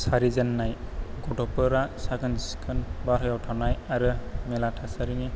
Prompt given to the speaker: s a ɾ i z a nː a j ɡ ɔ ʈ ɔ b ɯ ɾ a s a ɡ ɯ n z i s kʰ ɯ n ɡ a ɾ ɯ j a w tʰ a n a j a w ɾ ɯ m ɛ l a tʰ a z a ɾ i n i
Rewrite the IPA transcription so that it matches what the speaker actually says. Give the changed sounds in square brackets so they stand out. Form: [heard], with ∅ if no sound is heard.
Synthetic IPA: s a ɾ i z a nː a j ɡ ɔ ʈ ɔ [p] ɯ ɾ a s a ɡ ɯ n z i s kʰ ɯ n [b] a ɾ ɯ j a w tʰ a n a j a [∅] ɾ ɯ m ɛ l a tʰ a [s] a ɾ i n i